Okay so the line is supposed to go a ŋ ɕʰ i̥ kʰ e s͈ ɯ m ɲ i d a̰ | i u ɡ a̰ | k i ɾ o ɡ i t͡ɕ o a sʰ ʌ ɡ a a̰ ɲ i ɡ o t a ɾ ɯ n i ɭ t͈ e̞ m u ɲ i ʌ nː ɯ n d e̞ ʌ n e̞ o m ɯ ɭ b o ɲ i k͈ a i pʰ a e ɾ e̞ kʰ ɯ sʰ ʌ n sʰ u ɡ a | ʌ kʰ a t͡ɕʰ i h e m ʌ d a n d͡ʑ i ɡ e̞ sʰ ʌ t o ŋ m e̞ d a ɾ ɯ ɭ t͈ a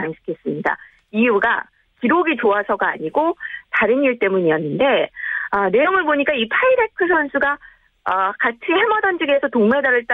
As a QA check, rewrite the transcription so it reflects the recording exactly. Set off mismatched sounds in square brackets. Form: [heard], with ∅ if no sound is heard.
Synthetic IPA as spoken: a ŋ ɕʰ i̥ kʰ e s͈ ɯ m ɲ i d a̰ | i u ɡ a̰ | k i ɾ o ɡ i t͡ɕ o a sʰ ʌ ɡ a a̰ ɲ i ɡ o t a ɾ ɯ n i ɭ t͈ e̞ m u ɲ i ʌ nː ɯ n d e̞ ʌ n e̞ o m ɯ ɭ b o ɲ i k͈ a i pʰ a [i] ɾ e̞ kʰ ɯ sʰ ʌ n sʰ u ɡ a | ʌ [k] a t͡ɕʰ i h e m ʌ d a n d͡ʑ i ɡ e̞ sʰ ʌ t o ŋ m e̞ d a ɾ ɯ ɭ t͈ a